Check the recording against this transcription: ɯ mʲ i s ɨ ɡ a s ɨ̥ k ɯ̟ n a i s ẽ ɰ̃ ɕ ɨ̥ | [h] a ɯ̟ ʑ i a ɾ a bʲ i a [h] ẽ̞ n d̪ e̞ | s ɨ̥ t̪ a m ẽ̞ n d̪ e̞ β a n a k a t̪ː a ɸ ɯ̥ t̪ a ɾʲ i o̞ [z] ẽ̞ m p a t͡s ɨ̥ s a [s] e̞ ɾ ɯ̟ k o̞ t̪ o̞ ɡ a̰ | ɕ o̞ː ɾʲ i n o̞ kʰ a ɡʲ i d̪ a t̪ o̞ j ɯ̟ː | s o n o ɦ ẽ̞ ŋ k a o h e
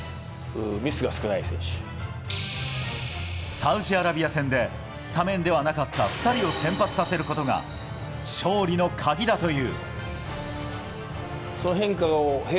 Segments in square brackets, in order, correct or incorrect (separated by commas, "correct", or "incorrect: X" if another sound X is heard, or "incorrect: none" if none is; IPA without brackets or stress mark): incorrect: s, incorrect: s, incorrect: s, correct